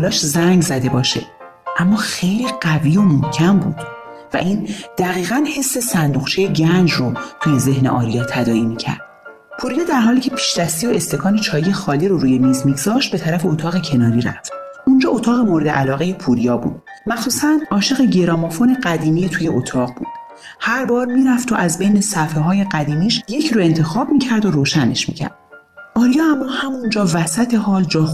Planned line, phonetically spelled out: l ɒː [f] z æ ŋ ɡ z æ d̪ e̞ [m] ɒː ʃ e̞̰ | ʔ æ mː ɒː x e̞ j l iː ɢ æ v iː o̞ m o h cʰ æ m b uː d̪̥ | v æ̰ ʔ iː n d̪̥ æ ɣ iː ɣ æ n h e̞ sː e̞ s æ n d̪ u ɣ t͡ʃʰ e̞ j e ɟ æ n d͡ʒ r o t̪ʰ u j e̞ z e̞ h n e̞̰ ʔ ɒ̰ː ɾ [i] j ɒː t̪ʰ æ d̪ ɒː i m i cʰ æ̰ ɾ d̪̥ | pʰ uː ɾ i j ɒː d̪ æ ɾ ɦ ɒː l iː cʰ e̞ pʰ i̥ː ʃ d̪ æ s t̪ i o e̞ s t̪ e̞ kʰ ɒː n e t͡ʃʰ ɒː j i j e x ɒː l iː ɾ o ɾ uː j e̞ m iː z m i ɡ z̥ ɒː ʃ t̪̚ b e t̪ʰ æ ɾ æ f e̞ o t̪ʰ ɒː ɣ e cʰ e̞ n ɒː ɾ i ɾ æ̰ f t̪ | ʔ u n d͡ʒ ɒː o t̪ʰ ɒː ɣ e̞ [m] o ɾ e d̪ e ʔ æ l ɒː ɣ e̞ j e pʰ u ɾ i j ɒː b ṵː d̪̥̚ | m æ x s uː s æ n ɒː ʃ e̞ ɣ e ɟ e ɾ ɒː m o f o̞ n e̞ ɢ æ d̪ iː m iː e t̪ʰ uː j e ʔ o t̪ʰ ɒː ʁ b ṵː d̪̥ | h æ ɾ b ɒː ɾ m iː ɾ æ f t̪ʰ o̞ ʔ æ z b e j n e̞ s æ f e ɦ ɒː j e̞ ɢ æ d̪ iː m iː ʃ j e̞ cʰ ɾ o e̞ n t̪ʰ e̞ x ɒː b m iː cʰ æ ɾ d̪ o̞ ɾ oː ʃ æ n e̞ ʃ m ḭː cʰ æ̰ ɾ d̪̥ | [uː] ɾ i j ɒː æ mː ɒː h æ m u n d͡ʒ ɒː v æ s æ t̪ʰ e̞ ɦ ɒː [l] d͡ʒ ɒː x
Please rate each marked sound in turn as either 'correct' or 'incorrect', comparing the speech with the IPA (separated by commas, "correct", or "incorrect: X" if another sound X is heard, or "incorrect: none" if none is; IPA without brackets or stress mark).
incorrect: ʃ, incorrect: b, correct, correct, incorrect: ɒː, correct